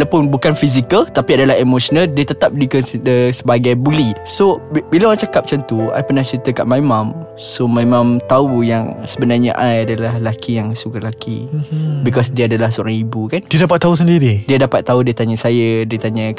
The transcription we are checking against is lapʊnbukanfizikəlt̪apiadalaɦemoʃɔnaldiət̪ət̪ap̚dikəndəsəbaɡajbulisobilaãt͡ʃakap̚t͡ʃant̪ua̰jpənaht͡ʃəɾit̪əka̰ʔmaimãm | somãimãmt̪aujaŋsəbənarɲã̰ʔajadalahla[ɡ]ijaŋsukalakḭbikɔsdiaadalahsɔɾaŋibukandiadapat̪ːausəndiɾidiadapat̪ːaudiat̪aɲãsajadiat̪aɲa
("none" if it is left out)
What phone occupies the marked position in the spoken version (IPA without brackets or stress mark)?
k